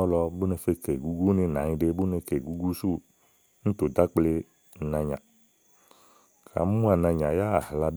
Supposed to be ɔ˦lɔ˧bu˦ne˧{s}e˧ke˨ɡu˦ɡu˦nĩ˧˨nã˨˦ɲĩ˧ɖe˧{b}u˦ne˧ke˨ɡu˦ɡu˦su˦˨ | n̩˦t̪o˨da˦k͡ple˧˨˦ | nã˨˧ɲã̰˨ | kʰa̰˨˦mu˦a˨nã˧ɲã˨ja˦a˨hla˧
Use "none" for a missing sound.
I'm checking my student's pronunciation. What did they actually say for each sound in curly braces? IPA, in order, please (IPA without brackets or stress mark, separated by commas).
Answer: f, b